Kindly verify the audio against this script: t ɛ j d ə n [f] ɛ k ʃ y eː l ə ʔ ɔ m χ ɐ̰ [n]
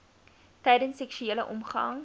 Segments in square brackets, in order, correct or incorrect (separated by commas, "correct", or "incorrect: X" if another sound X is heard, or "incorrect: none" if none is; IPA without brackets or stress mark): incorrect: s, incorrect: ŋ